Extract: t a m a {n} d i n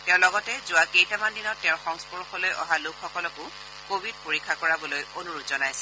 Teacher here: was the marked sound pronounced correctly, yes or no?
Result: yes